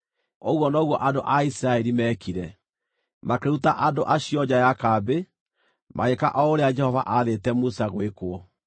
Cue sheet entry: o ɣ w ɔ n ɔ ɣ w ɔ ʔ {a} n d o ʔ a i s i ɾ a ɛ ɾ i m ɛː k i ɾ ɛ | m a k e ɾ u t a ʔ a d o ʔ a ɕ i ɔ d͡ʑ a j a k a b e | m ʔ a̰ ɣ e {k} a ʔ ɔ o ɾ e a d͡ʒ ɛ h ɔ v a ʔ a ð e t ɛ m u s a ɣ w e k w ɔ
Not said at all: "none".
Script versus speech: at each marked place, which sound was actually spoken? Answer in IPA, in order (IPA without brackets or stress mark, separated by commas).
a, k